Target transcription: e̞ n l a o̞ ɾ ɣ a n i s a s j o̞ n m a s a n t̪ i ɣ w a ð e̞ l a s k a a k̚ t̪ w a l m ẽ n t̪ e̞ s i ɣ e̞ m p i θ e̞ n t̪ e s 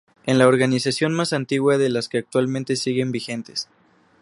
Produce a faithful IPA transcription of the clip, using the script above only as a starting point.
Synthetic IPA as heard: e̞ n l a o̞ ɾ ɣ a n i s a s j o̞ n m a s a n t̪ i ɣ w a ð e̞ l a s k e a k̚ t̪ w a l m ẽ n t̪ e̞ s i ɣ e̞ m b i x e̞ n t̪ e s